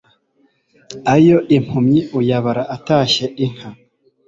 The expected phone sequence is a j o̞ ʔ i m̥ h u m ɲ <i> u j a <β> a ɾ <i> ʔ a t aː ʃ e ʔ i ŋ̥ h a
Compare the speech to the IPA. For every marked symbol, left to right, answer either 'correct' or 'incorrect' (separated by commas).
correct, correct, incorrect